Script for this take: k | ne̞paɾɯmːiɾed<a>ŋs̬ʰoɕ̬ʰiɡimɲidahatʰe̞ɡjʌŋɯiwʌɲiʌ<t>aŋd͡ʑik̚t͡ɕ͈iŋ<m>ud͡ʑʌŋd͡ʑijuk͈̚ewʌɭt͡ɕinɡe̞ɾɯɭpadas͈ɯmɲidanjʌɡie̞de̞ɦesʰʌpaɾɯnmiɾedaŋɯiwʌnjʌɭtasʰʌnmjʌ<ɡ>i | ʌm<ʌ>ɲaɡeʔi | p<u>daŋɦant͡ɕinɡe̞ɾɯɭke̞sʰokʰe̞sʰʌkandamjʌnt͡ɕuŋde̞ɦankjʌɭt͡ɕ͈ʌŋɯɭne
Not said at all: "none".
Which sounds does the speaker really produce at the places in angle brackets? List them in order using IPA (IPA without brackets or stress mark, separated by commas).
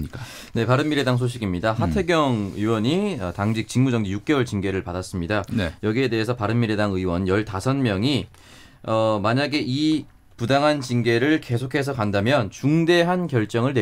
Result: a, t, m, ŋ, a, u